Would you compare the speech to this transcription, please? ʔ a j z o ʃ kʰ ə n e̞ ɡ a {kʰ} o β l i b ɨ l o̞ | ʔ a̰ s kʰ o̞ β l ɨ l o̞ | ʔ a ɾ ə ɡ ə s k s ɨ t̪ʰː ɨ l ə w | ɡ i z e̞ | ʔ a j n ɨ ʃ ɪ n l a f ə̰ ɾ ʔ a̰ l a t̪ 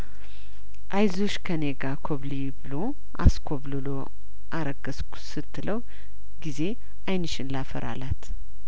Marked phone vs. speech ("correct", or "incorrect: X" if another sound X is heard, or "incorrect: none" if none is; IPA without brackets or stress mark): correct